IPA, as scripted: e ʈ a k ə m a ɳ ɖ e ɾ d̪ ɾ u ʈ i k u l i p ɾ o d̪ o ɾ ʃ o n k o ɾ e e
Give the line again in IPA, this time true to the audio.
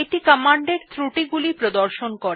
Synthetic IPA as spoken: e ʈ i k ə m a ɳ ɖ e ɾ t̪ ɾ u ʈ i ɡ u l i p ɾ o d̪ o ɾ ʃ o n k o ɾ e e

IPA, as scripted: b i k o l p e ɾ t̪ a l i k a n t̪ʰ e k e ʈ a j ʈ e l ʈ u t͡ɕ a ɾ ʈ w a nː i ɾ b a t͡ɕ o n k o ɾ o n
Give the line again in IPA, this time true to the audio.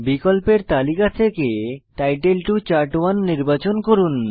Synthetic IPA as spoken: b i k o l p e ɾ t̪ a l i k a t̪ʰ e k e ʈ a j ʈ e l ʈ u t͡ɕ a ɾ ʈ w a nː i ɾ b a t͡ɕ o n k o ɾ u n

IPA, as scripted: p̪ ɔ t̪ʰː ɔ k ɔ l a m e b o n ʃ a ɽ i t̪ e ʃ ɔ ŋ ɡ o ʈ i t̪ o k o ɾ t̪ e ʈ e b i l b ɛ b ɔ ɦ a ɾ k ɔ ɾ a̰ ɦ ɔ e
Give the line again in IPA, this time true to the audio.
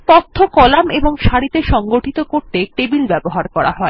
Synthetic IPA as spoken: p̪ ɔ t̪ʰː o k ɔ l a m e b o ŋ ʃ a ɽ i t̪ e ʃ ɔ ŋ ɡ o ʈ i t̪ o k o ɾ t̪ e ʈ e b i l b ɛ b o ɦ a ɾ k ɔ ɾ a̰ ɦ ɔ e

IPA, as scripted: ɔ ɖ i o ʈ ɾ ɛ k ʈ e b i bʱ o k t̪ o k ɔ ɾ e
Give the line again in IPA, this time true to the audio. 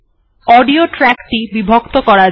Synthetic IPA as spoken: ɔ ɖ i o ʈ ɾ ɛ k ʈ i b i bʱ o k t̪ o k ɔ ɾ a

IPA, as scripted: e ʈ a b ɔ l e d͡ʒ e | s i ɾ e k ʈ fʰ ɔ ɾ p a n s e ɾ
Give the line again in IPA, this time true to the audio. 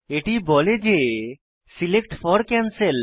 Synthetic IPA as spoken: e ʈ i b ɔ l e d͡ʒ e | s i l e k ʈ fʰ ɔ ɾ k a n s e l

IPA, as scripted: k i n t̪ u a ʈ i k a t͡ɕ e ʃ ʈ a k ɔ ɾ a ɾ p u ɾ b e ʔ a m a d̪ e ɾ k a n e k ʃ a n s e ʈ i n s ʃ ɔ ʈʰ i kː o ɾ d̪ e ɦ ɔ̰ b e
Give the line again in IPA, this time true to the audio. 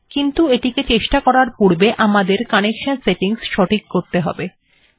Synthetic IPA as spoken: k i n t̪ u e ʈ i k e t͡ɕ e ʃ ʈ a k ɔ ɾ a ɾ p u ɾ b e ʔ a m a d̪ e ɾ k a n e k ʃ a n s e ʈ i ŋ s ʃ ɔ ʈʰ i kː o ɾ t̪ e ɦ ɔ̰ b e

